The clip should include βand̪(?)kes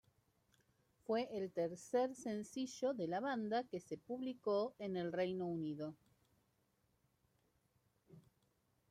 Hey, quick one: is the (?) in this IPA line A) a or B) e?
A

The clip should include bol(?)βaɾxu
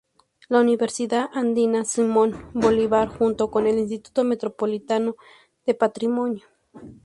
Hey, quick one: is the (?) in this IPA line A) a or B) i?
B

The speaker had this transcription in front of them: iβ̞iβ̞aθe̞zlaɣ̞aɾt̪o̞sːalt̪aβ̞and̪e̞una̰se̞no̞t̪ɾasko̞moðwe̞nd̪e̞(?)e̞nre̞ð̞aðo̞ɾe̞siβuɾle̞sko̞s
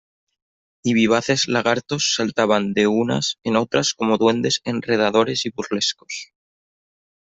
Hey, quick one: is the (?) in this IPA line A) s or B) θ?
A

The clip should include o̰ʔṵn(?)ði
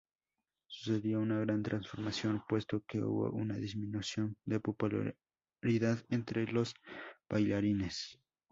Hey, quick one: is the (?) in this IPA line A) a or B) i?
A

